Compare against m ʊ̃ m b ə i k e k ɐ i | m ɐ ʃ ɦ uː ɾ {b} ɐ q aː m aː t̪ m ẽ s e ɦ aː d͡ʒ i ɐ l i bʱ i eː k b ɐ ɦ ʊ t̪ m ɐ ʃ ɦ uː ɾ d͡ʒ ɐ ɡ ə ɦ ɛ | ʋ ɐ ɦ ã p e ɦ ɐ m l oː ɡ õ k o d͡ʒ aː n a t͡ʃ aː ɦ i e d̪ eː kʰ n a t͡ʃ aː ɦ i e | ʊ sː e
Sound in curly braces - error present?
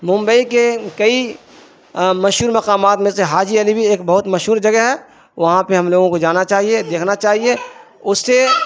yes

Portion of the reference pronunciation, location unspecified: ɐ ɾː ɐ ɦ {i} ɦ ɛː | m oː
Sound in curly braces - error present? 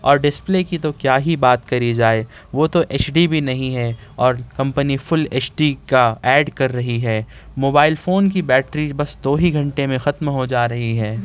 no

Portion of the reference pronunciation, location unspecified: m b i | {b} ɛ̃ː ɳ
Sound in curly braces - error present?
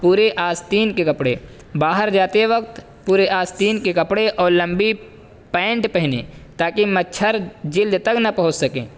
yes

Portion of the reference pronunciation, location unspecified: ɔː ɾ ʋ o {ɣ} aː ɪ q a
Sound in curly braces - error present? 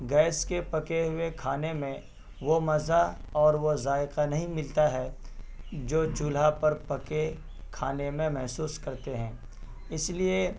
yes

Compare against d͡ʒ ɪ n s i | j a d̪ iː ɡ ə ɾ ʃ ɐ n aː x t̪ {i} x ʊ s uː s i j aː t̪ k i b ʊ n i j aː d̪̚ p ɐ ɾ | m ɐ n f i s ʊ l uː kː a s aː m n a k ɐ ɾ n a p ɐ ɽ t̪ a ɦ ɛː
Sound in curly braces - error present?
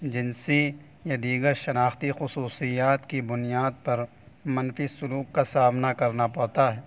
no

